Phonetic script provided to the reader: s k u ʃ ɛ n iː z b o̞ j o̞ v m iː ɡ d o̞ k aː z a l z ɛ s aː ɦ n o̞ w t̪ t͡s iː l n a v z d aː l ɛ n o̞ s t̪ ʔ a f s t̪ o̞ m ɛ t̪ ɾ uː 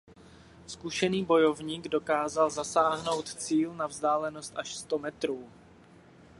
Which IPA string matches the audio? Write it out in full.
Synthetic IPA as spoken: s k u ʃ ɛ n iː b o̞ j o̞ v ɲ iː ɡ d o̞ k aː z a l z a s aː ɦ n o̞ w t̪ t͡s iː l n a v z d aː l ɛ n o̞ s t̪ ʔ a ʃ s t̪ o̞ m ɛ t̪ ɾ uː